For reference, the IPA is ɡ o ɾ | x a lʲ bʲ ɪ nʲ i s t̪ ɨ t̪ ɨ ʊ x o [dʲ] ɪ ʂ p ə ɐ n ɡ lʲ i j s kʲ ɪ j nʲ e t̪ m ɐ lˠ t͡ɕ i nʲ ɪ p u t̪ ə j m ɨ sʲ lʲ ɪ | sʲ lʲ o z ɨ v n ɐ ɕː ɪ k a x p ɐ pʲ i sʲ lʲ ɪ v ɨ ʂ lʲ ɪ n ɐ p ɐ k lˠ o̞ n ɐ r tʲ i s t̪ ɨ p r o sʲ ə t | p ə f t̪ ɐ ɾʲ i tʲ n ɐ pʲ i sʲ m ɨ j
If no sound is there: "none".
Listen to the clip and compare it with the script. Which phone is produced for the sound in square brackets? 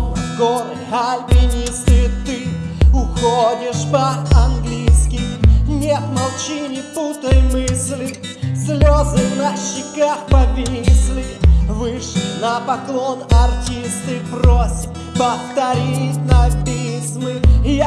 dʲ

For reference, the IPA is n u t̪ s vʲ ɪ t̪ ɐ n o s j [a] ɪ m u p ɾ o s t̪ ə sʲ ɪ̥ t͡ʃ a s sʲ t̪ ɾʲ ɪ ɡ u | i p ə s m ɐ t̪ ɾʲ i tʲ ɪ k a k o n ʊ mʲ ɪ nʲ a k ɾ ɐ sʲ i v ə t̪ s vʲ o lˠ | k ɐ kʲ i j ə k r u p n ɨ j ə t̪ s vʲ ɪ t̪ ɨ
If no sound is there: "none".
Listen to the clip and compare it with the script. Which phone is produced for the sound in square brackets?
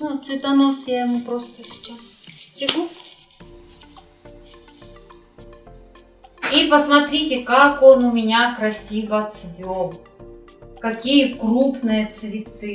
a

